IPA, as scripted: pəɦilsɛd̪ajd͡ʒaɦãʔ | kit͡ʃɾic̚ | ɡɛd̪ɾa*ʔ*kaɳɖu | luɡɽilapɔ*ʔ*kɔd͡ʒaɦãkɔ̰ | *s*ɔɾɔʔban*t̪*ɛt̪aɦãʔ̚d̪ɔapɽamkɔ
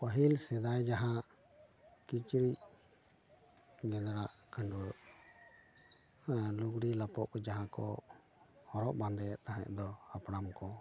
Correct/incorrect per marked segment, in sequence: correct, correct, incorrect, incorrect

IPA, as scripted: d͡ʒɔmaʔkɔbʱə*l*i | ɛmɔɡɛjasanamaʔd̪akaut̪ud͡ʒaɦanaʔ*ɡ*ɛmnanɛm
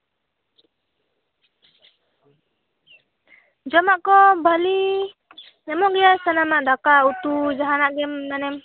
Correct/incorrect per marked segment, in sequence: correct, correct

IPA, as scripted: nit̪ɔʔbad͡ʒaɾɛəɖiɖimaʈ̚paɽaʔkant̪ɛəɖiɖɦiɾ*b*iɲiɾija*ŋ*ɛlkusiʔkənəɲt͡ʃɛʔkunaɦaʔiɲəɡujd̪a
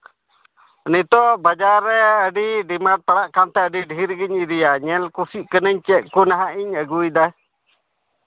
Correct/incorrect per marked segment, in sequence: incorrect, incorrect

